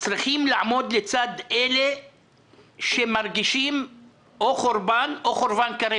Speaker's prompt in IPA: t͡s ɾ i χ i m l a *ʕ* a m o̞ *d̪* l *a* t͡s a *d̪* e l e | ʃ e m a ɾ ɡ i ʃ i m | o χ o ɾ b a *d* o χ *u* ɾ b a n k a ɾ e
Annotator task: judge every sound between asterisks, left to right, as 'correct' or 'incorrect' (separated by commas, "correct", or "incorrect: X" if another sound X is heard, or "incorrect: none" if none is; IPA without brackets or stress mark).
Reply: correct, correct, incorrect: e, correct, incorrect: n, incorrect: o